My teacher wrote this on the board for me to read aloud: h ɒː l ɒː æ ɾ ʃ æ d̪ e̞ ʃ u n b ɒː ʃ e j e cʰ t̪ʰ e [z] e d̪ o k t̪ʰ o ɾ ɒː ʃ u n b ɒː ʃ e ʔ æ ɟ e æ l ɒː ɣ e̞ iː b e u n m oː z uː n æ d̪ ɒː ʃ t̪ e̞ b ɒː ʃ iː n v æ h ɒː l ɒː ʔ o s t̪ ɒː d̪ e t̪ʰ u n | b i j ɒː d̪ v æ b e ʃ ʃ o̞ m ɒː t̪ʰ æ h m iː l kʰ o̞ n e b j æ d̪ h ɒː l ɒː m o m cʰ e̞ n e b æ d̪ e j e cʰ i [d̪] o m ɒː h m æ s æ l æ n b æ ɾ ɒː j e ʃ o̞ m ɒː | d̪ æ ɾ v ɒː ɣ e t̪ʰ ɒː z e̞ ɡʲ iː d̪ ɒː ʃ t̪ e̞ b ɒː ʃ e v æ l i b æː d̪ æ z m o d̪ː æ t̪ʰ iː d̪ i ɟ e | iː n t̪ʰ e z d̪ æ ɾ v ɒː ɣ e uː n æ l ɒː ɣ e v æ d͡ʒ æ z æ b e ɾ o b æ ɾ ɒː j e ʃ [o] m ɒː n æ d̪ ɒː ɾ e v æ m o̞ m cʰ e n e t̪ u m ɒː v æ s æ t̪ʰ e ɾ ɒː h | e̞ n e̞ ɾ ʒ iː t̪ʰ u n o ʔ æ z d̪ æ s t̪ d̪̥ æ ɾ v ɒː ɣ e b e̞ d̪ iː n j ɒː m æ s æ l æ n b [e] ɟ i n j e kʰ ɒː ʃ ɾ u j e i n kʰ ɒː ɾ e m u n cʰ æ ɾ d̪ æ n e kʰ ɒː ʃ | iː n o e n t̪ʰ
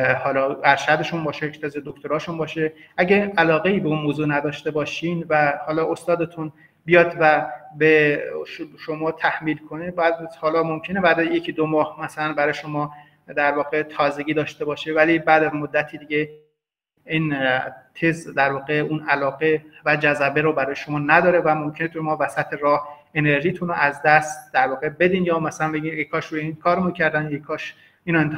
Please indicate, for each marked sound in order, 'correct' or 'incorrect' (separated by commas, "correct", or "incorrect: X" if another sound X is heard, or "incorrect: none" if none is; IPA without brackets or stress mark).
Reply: correct, correct, correct, correct